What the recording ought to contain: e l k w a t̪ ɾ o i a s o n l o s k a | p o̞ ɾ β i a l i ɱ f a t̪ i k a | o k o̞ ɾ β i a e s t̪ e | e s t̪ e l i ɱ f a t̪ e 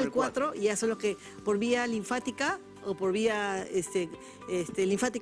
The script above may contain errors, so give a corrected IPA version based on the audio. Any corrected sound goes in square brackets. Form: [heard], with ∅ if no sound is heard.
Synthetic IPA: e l k w a t̪ ɾ o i a s o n l o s k [e] | p o̞ ɾ β i a l i ɱ f a t̪ i k a | o [p] o̞ ɾ β i a e s t̪ e | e s t̪ e l i ɱ f a t̪ [i]